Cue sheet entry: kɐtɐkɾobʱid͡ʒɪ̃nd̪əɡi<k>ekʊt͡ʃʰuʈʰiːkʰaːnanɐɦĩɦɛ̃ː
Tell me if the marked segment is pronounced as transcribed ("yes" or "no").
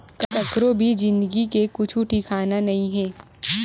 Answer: yes